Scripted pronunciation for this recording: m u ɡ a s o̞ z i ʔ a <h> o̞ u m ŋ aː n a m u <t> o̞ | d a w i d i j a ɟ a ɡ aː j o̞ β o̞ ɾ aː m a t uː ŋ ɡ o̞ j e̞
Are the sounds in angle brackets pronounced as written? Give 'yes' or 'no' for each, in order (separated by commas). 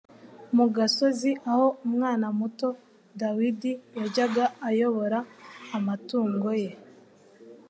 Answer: yes, yes